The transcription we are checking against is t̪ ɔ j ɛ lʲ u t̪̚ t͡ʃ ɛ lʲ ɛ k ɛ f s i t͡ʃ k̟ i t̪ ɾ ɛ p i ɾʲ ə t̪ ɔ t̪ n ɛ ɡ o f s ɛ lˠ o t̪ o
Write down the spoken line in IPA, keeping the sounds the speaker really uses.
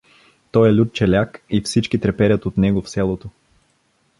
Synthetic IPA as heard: t̪ ɔ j ɛ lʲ u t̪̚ t͡ʃ ɛ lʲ a k i f s i t͡ʃ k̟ i t̪ ɾ ɛ p ɛ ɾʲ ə t̪ o t̪ n ɛ ɡ o f s ɛ lˠ o t̪ o

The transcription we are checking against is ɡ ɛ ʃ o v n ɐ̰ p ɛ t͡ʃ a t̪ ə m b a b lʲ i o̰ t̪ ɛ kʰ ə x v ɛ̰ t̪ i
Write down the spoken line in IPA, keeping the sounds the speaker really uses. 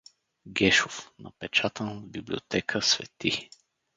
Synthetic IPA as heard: ɡ ɛ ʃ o f n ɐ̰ p ɛ t͡ʃ a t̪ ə n b i b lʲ i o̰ t̪ ɛ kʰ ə s v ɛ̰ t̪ i

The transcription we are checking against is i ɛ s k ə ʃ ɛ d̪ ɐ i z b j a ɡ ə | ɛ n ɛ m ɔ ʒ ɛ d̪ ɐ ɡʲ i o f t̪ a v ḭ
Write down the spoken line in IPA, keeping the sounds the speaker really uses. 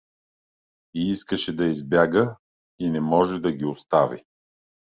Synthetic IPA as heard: i i s k ə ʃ ɛ d̪ ɐ i z b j a ɡ ə | i n ɛ m ɔ ʒ ɛ d̪ ɐ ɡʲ i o s t̪ a v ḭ

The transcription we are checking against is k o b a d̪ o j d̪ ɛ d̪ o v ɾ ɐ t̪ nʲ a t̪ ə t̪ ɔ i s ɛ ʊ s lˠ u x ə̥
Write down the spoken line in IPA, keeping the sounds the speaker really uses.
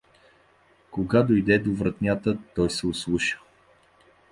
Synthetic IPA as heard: k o ɡ a d̪ o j d̪ ɛ d̪ o v ɾ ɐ t̪ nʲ a t̪ ə t̪ ɔ j s ɛ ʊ s lˠ u ʃ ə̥

